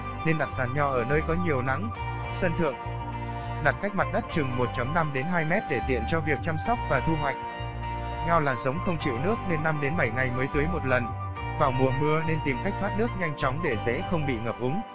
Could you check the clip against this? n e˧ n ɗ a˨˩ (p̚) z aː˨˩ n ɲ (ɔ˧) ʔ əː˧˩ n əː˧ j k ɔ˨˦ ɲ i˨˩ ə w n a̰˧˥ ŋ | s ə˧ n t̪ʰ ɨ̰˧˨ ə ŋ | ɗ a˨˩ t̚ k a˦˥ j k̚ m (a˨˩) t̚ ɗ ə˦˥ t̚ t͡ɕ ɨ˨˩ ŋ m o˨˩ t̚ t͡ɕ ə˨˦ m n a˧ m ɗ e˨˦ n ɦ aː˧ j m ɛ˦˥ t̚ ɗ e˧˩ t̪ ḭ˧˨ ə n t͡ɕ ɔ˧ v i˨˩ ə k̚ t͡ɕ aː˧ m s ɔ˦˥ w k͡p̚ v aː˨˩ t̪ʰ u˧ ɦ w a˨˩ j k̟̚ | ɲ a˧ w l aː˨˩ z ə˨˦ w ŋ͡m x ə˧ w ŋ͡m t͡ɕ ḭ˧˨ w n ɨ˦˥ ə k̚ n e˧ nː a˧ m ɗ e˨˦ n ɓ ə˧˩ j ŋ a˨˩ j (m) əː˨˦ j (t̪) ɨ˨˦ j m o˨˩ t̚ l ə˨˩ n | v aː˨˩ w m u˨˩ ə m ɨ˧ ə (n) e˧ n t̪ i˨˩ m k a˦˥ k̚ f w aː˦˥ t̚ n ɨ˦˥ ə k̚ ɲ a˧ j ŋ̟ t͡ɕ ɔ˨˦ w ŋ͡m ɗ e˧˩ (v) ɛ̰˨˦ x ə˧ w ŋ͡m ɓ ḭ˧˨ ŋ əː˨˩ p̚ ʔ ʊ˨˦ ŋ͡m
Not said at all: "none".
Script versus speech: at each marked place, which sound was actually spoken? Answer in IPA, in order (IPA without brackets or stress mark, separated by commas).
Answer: t̚, ɔ˧, a˨˩, m, t̪, n, z